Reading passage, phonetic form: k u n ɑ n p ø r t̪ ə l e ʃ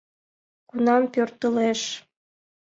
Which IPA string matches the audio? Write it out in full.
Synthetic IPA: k u n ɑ m p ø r t̪ ə l e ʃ